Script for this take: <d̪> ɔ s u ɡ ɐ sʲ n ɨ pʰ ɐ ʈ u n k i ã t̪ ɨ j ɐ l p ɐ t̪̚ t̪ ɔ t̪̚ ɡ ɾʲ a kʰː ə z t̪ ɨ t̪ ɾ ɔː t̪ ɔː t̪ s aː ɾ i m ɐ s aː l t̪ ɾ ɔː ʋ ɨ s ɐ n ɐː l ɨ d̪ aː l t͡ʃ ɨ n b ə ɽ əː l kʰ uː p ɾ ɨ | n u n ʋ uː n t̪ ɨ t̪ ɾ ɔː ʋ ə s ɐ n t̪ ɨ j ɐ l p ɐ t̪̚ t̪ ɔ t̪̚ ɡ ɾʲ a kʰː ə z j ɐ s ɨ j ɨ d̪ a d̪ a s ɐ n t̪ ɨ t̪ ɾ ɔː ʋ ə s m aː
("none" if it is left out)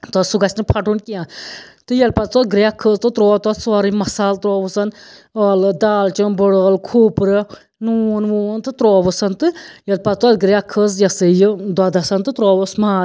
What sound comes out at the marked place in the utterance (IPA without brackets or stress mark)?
t̪